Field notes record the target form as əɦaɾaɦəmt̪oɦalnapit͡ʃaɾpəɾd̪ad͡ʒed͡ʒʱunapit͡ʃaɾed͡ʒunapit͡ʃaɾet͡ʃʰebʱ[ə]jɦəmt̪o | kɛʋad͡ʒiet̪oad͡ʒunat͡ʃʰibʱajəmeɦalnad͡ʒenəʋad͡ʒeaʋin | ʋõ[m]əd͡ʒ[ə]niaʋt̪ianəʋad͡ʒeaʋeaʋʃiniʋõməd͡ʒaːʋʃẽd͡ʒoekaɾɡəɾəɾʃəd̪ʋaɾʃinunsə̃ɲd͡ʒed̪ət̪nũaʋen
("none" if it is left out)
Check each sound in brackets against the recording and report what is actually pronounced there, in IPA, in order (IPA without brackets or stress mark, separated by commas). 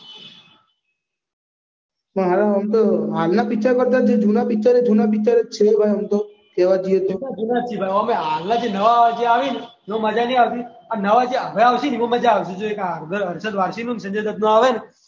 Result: a, m, a